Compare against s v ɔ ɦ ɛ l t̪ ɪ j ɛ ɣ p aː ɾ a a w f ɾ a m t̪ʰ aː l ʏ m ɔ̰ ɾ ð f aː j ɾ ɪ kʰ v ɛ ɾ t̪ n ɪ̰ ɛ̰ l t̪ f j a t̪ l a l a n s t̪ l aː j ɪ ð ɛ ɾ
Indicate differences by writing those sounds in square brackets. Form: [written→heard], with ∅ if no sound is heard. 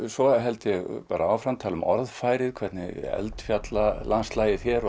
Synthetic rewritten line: s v ɔ ɦ ɛ l t̪ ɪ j ɛ ɣ p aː ɾ a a w f ɾ a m t̪ʰ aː l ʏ m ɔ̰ ɾ ð f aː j ɾ ɪ kʰ v ɛ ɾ t̪ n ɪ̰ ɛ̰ l t̪ f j a t̪ l a l a n s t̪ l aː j ɪ [ð→θ] ɛ ɾ